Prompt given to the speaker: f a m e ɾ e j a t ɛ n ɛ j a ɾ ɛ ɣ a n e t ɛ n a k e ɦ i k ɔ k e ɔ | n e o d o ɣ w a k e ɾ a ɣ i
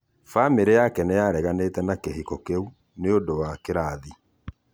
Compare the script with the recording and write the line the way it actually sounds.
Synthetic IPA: f a m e ɾ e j a k ɛ n ɛ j a ɾ ɛ ɣ a n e t ɛ n a k e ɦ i k ɔ k e u | n e o d o w a k e ɾ a ð i